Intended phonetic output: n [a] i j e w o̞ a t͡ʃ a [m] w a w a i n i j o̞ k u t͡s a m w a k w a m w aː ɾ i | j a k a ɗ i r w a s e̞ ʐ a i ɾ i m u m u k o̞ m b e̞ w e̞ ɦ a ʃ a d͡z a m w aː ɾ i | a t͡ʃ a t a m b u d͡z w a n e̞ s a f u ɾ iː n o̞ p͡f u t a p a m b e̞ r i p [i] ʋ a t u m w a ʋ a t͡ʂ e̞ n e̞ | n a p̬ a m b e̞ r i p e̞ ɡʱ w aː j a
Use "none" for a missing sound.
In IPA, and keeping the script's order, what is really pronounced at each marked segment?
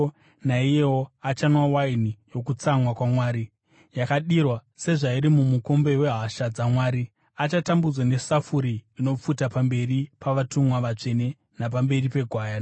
a, n, a

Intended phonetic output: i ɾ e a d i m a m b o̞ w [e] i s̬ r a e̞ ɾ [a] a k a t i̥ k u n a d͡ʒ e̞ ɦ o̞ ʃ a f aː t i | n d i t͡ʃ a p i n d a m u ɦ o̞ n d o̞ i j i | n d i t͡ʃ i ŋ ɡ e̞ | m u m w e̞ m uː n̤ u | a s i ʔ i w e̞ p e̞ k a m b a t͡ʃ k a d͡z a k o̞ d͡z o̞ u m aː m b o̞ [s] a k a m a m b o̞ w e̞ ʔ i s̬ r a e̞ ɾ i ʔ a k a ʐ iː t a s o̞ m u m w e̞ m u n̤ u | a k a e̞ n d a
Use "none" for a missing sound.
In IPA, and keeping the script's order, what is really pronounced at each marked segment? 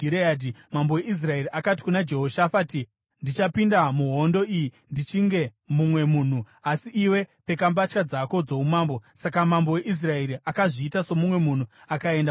e, i, s

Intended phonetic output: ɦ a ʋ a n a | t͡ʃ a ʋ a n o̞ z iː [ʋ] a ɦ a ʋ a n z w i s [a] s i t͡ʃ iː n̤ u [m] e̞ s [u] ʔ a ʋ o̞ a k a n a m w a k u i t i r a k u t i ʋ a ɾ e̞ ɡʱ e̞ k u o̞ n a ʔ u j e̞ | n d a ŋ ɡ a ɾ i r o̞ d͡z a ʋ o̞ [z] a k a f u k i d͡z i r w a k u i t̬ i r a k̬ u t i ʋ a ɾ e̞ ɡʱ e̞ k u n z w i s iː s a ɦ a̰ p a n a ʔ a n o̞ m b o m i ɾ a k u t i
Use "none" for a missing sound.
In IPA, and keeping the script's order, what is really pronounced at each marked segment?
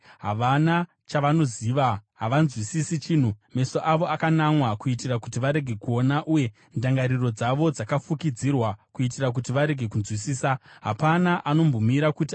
ʋ, i, m, o, d͡z

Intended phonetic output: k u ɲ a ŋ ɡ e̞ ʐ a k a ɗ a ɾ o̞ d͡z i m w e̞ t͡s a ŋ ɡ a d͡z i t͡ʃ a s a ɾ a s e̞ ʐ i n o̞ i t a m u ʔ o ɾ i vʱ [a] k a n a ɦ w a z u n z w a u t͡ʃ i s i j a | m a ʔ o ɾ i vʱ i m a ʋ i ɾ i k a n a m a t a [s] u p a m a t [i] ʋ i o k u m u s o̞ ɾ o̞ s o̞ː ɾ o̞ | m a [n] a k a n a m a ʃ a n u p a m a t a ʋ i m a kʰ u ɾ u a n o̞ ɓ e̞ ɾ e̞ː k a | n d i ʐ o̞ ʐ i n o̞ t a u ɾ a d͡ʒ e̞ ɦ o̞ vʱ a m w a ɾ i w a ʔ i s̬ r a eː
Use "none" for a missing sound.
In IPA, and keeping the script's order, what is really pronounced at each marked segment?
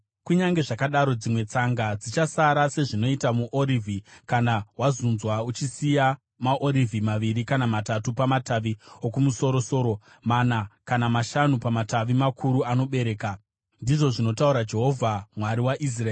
i, t, a, n

